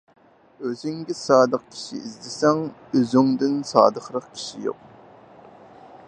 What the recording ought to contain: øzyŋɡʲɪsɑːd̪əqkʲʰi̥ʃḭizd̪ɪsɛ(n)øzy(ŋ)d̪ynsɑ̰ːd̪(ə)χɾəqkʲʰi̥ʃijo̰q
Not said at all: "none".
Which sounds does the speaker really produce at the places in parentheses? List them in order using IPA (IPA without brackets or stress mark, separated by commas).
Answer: ŋ, ŋ, ə